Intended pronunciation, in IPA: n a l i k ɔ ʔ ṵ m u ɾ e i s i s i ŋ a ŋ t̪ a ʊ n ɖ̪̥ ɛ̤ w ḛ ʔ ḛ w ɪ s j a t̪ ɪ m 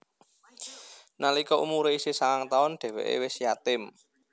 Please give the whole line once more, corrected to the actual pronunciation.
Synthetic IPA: n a l i k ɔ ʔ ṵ m u ɾ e i s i s a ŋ a ŋ t̪ a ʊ n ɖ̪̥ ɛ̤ w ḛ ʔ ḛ w ɪ s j a t̪ ɪ m

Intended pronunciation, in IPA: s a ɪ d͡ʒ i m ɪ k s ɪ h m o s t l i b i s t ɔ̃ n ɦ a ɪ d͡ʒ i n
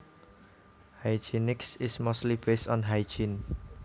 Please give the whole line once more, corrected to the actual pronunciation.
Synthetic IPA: h a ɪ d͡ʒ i n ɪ k s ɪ s m o s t l i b e s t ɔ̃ n ɦ a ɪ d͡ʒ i n

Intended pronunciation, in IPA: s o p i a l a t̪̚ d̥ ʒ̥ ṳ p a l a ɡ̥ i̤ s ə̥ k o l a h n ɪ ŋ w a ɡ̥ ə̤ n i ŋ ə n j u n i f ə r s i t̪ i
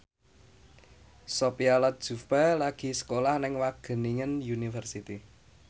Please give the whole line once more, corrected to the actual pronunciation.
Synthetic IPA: s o p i a l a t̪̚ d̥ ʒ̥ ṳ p a l a ɡ̥ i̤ s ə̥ k o l a h n ɪ ŋ w a ɡ̥ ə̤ n i ŋ ə n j u n i f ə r s i t̪ i

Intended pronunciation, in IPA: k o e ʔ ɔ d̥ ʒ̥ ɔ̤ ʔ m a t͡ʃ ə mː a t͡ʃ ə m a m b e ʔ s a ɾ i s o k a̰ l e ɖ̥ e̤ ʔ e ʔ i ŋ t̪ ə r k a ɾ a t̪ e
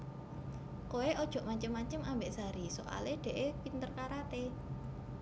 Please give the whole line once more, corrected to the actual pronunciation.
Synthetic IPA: k o e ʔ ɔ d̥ ʒ̥ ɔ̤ ʔ m a t͡ʃ ə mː a t͡ʃ ə m a m b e ʔ s a ɾ i s o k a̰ l e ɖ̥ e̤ ʔ e p i n t̪ ə r k a ɾ a t̪ e

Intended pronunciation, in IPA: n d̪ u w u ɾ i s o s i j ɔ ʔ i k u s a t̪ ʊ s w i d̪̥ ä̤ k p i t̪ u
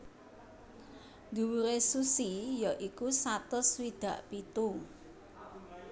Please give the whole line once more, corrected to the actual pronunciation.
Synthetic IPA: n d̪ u w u ɾ e s u s i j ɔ ʔ i k u s a t̪ ʊ s w i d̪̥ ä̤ ʔ p i t̪ u

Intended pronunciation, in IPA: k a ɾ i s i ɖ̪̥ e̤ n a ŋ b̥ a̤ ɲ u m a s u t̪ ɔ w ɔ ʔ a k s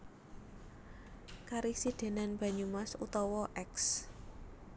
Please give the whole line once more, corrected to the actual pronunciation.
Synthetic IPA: k a ɾ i s i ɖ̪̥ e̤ n a n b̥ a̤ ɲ u m a s u t̪ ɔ w ɔ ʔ ɛ k s

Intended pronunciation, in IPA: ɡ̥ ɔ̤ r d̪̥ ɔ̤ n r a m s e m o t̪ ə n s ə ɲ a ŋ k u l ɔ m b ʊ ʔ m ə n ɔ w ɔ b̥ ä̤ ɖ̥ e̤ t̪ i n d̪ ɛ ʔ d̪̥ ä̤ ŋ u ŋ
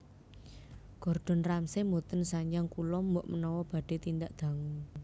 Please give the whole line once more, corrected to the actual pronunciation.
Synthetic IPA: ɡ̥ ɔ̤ r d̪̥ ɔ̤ n r a m s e m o t̪ ə n s a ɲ a ŋ k u l ɔ m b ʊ ʔ m ə n ɔ w ɔ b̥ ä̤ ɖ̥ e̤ t̪ i n d̪ a ʔ d̪̥ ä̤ ŋ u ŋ

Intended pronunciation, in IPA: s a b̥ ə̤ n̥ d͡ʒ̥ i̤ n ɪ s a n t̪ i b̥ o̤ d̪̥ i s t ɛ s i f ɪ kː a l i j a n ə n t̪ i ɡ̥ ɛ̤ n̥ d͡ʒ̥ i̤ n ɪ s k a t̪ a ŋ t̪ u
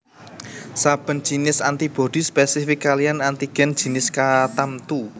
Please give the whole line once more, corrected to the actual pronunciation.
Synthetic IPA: s a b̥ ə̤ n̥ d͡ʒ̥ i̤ n ɪ s a n t̪ i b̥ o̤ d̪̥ i s p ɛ s i f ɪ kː a l i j a n a n t̪ i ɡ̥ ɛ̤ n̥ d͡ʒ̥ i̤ n ɪ s k a t̪ a m t̪ u

